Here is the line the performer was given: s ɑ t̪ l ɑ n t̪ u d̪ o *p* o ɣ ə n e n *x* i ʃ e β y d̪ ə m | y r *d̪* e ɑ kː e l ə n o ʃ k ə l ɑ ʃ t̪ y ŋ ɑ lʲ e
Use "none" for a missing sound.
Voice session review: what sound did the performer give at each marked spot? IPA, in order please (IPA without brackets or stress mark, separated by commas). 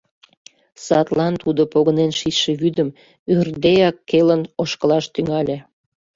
p, ʃ, d̪